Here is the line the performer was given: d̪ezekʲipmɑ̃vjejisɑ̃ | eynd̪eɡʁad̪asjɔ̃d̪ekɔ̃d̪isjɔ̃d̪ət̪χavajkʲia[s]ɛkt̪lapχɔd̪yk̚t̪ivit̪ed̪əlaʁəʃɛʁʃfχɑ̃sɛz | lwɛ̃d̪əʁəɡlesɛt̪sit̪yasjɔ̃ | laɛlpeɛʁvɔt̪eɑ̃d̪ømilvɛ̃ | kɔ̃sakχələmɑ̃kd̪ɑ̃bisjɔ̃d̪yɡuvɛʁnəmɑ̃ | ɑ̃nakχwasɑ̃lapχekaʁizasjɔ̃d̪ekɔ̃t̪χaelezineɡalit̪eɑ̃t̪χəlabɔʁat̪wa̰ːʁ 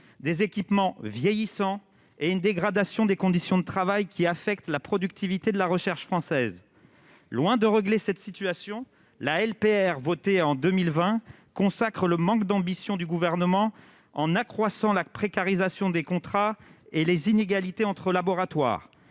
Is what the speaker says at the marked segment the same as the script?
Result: no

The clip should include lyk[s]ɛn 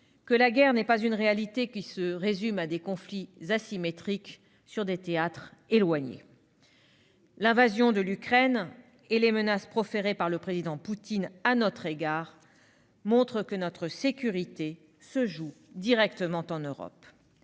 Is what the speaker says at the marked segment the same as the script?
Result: no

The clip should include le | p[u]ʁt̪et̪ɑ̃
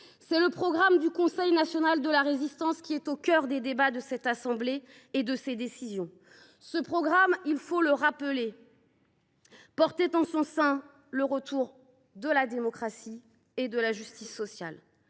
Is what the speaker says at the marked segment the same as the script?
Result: no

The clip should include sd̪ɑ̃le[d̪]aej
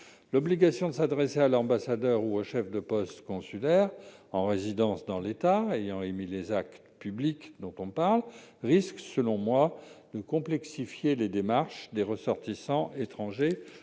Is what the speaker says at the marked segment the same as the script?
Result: no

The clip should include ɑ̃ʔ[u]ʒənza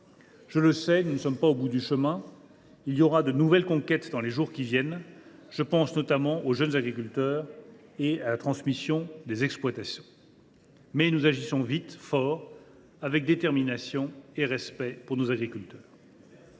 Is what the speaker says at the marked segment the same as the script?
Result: no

